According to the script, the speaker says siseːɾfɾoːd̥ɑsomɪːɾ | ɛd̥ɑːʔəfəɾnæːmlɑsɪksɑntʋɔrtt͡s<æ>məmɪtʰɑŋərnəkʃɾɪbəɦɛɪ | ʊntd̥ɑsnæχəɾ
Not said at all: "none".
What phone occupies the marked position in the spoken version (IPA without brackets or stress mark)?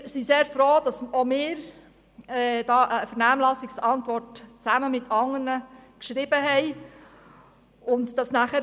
æ